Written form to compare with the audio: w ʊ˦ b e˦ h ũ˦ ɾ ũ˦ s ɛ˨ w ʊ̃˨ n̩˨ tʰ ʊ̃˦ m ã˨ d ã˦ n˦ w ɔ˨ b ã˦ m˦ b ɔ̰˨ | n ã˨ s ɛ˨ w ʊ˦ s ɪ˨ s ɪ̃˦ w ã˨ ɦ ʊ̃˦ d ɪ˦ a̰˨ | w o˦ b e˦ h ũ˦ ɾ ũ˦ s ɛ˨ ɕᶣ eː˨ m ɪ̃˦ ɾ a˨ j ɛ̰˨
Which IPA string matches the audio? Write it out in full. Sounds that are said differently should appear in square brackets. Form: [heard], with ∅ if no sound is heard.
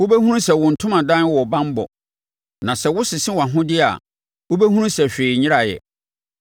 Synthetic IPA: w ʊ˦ b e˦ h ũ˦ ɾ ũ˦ s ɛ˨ w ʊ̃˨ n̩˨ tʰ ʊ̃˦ m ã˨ d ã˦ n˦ w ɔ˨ b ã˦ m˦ b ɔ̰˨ | n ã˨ s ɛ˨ w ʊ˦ s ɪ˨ s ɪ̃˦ w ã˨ ɦ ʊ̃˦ d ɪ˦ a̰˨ | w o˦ b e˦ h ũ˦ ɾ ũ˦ s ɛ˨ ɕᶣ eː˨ [ɲ] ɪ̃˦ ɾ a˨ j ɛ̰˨